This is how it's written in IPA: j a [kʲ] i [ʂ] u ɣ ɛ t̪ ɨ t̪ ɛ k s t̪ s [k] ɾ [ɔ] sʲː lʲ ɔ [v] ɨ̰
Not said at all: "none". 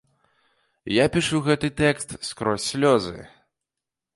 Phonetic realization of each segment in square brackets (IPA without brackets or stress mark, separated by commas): pʲ, ʂ, k, ɔ, z